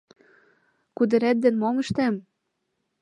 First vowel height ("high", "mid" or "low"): high